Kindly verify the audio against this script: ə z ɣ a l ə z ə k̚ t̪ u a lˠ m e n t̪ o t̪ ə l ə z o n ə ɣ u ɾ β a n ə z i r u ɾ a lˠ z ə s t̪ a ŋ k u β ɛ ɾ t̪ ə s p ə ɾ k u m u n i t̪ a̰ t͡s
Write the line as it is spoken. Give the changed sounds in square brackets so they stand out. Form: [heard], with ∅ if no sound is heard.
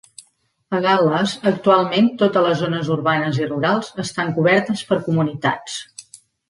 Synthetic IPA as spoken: ə [∅] ɣ a l ə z ə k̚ t̪ u a lˠ m e n t̪ o t̪ ə l ə z o n ə [z] u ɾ β a n ə z i r u ɾ a lˠ z ə s t̪ a ŋ k u β ɛ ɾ t̪ ə s p ə ɾ k u m u n i t̪ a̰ t͡s